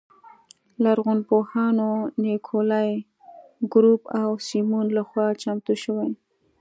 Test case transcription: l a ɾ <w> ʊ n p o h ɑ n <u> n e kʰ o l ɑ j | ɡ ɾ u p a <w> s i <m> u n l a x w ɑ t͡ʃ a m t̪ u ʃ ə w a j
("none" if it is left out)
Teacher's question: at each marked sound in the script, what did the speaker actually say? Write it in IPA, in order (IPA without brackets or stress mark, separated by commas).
ɣ, o, w, m